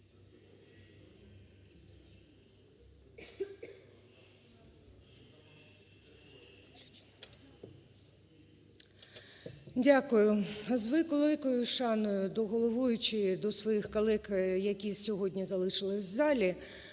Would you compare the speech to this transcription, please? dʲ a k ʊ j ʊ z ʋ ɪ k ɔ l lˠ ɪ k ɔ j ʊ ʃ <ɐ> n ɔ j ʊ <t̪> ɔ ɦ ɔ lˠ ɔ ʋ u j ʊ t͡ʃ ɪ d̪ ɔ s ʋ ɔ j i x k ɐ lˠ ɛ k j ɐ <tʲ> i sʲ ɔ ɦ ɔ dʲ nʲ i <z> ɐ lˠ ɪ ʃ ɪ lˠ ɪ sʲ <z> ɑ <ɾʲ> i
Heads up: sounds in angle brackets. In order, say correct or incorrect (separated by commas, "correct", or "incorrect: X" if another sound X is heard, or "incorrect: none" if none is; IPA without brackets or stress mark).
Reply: incorrect: ɑ, incorrect: d̪, incorrect: kʲ, correct, correct, incorrect: lʲ